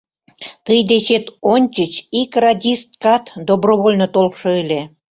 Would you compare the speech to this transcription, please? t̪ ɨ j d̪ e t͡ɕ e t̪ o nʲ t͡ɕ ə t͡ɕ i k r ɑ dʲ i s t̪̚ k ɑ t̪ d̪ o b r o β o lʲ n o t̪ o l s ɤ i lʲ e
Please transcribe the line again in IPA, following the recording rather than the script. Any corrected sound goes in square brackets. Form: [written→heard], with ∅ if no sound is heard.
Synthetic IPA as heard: t̪ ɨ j d̪ e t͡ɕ e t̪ o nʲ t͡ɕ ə t͡ɕ i k r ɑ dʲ i s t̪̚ k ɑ t̪ d̪ o b r o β o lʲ n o t̪ o l [s→ʃ] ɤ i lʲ e